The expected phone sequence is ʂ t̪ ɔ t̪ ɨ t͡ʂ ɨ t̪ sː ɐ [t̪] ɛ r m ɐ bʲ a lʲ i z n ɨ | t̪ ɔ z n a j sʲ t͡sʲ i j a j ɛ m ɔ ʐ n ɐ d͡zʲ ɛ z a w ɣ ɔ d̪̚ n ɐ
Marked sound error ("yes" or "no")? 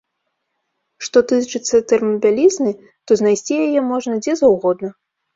no